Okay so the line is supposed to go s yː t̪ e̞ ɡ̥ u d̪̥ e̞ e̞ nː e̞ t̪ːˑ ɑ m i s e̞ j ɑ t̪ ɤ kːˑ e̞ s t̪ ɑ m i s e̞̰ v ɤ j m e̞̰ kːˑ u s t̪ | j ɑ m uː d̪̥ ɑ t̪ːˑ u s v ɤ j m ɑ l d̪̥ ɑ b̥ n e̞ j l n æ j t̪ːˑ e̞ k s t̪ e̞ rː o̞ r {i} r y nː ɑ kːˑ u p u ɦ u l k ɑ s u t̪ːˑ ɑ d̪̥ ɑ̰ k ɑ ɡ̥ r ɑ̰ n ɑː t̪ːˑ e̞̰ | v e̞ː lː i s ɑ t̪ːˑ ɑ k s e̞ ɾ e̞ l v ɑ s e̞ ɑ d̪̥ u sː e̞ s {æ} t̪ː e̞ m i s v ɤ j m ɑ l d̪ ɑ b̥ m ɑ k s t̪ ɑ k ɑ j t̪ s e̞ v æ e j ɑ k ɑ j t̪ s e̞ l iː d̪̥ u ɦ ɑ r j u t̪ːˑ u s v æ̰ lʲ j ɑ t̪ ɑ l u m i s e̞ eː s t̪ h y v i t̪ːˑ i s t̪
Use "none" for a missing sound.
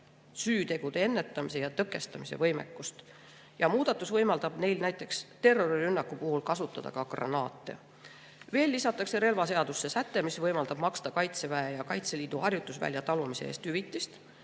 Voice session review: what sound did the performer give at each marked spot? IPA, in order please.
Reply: i, æ

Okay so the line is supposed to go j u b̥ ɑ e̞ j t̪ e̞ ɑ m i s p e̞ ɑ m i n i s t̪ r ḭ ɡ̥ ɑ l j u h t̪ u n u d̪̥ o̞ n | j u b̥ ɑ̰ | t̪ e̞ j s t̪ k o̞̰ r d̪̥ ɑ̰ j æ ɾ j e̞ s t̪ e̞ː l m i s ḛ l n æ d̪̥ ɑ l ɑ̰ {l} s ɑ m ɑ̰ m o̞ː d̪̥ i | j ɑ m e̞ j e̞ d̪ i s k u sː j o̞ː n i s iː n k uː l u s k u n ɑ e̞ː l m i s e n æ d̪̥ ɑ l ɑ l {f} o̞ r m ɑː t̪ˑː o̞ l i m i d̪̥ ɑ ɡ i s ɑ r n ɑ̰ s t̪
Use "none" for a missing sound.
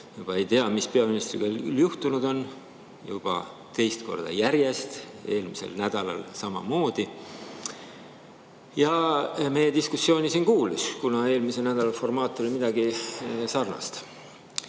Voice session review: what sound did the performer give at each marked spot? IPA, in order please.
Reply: l, f

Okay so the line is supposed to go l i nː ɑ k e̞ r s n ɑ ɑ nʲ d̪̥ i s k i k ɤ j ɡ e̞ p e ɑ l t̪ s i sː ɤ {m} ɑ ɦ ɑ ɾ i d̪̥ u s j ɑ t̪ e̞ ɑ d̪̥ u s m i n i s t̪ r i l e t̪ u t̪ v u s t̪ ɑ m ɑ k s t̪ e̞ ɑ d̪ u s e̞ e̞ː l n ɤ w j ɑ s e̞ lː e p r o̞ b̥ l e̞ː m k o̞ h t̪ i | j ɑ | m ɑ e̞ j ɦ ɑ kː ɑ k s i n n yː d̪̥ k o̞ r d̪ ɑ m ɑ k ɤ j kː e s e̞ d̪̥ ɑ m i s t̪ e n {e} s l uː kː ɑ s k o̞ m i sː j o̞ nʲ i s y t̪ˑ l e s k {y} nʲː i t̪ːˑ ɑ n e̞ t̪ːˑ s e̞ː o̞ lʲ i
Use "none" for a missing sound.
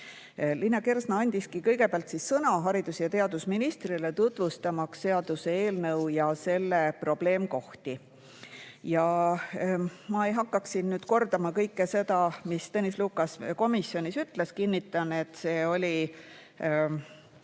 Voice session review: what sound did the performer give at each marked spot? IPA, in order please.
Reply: n, i, i

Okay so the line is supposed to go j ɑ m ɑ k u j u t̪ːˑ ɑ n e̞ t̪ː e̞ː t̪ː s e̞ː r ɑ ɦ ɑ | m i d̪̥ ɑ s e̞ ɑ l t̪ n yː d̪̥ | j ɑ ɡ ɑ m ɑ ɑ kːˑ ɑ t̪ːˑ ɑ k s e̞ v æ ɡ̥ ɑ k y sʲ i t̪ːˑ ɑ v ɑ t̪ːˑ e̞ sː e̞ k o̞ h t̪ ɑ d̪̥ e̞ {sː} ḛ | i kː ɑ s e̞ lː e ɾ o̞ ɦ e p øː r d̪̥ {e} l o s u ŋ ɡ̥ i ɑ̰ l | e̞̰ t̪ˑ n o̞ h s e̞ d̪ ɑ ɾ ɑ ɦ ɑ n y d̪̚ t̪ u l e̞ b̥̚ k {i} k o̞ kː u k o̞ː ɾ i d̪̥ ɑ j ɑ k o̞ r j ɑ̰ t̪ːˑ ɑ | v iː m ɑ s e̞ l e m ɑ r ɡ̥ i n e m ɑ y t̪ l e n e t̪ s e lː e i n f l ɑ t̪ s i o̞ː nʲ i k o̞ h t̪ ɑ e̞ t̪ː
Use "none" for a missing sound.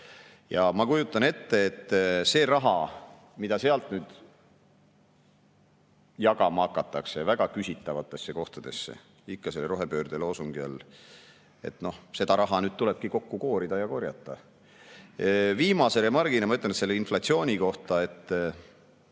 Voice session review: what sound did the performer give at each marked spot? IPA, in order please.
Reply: sː, e, i

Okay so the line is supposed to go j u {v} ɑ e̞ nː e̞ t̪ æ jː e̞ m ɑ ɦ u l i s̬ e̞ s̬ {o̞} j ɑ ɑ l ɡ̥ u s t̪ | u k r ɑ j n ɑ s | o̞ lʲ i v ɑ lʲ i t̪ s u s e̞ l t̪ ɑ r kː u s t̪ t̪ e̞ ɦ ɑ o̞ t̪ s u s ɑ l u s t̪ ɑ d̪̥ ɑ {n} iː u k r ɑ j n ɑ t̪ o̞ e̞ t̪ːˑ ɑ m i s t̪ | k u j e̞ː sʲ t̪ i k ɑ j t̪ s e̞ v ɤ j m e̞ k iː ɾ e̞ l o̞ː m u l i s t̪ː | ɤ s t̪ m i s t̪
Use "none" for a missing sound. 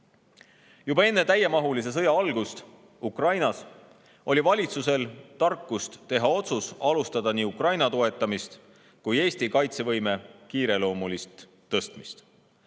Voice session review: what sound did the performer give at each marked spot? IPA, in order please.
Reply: b, ɤ̞, n

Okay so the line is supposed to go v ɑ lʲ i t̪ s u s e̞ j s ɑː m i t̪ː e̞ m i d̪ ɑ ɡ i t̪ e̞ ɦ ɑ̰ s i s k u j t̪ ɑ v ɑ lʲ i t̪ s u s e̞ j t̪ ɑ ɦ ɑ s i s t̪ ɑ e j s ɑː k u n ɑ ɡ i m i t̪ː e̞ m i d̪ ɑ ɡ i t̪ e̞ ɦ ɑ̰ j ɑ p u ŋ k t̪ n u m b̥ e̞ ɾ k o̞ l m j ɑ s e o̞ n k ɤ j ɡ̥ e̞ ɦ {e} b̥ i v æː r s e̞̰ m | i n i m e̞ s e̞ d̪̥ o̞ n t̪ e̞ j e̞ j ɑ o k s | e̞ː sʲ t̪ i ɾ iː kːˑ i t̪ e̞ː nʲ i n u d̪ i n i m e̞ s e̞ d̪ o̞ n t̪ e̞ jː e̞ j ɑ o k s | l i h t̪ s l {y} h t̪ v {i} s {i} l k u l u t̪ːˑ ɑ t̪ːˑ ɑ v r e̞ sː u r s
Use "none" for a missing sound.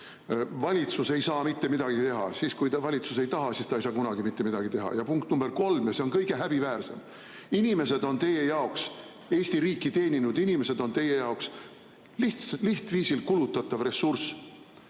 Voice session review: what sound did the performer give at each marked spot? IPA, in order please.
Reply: æ, i, iː, i

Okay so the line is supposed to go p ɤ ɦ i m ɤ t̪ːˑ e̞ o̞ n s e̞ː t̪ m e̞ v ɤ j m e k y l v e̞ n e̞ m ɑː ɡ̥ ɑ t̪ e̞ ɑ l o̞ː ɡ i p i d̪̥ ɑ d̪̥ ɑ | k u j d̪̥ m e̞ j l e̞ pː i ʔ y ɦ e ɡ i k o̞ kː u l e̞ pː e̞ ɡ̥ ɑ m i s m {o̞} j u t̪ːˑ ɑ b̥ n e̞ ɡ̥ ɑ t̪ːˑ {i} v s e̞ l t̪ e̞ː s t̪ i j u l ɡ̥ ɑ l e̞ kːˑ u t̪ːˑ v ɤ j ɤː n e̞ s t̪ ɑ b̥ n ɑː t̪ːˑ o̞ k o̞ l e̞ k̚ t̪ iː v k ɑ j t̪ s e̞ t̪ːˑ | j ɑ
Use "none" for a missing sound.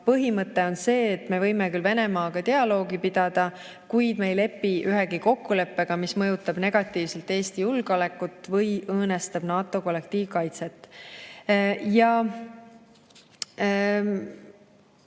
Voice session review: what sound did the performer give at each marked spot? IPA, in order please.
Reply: ɤ̞, iː

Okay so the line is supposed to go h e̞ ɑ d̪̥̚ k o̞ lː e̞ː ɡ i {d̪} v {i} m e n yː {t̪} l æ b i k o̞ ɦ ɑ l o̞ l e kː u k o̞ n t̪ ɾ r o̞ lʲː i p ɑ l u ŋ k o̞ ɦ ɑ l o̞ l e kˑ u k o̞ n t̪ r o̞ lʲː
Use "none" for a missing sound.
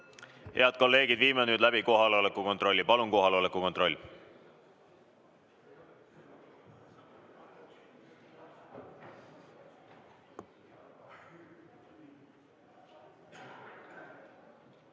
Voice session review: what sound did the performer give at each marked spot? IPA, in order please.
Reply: d̪, iː, d̪

